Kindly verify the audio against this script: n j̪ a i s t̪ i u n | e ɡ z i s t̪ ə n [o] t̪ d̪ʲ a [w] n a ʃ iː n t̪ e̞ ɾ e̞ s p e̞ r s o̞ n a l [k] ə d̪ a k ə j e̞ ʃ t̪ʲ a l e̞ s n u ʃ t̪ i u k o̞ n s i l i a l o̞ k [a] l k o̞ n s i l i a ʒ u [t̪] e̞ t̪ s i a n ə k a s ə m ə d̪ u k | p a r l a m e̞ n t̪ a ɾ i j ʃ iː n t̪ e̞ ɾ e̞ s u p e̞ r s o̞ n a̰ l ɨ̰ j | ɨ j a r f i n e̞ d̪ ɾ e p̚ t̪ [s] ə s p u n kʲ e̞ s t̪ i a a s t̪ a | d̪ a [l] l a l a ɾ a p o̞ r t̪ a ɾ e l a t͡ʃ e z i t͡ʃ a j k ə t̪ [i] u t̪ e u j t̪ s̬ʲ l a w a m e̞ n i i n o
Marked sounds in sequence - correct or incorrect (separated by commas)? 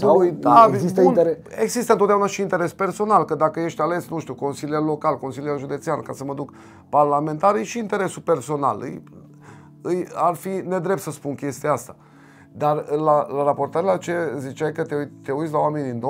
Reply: correct, incorrect, correct, correct, incorrect, correct, incorrect, incorrect